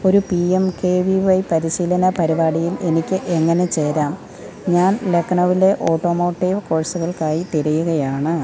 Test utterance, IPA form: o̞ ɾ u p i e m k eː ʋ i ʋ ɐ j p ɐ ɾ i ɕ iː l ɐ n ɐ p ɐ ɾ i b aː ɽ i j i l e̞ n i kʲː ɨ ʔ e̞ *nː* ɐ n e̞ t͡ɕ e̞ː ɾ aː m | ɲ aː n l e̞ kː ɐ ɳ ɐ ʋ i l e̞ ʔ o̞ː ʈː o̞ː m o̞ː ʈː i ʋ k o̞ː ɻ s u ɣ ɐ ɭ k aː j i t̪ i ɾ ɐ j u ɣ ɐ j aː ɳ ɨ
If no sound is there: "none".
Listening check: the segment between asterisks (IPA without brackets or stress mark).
ŋː